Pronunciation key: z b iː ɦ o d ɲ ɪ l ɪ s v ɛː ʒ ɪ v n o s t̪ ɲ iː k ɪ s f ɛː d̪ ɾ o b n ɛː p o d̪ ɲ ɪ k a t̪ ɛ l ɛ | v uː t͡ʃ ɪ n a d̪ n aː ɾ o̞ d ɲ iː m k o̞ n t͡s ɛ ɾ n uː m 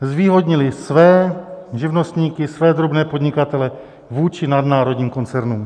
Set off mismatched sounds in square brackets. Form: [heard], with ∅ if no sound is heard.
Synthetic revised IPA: z [v] iː ɦ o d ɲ ɪ l ɪ s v ɛː ʒ ɪ v n o s t̪ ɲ iː k ɪ s [v] ɛː d̪ ɾ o b n ɛː p o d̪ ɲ ɪ k a t̪ ɛ l ɛ | v uː t͡ʃ ɪ n a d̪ n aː ɾ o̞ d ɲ iː m k o̞ n t͡s ɛ ɾ n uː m